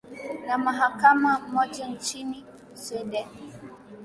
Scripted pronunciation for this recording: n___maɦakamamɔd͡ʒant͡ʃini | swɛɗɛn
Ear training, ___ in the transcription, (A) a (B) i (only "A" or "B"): A